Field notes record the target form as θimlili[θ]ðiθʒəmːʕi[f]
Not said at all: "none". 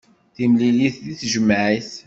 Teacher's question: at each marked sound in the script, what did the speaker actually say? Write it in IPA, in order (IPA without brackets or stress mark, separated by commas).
θ, θ